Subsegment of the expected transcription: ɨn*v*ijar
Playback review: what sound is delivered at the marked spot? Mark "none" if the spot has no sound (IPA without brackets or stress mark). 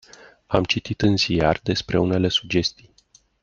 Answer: z